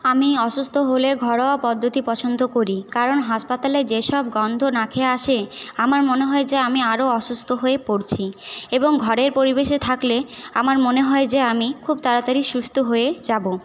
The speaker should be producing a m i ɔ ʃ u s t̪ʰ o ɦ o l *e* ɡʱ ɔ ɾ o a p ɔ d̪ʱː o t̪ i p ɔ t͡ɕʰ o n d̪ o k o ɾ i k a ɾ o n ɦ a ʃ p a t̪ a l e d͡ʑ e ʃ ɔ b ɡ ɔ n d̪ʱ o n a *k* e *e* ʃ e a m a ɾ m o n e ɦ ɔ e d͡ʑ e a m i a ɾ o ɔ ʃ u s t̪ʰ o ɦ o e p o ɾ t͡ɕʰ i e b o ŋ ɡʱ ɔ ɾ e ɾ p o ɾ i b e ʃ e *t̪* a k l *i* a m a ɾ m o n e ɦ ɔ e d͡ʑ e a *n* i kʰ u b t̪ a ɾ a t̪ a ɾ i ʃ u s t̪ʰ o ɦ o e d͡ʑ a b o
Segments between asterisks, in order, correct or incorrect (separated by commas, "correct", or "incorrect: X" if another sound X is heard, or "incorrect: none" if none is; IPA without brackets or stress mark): correct, incorrect: kʰ, incorrect: a, incorrect: t̪ʰ, incorrect: e, incorrect: m